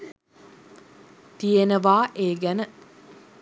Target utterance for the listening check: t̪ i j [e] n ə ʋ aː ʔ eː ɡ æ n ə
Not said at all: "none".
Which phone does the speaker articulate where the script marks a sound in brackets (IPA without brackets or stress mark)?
e